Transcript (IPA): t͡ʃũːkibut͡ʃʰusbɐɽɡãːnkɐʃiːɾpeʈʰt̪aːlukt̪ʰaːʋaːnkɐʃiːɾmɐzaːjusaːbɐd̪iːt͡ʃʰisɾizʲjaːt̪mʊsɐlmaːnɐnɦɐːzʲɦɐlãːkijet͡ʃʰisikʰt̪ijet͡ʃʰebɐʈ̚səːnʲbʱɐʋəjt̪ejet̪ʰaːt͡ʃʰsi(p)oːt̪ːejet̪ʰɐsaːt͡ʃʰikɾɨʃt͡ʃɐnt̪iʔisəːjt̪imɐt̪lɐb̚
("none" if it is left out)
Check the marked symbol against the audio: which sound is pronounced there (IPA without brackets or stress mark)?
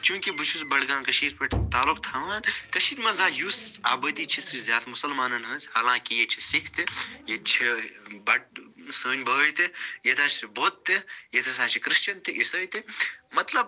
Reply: b